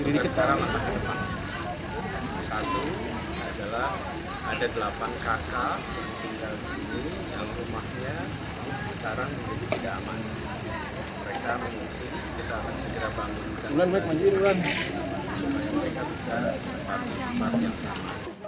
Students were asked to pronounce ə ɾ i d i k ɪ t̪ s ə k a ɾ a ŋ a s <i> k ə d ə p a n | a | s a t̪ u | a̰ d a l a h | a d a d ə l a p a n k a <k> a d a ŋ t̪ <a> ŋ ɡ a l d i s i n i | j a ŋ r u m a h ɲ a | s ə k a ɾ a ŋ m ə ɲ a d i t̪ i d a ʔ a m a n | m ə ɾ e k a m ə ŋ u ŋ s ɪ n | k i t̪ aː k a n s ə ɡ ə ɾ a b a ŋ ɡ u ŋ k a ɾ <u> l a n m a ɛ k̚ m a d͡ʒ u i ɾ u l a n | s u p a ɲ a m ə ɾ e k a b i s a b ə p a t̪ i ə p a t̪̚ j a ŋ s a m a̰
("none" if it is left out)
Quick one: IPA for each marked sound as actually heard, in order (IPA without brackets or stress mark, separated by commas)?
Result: a, k, i, u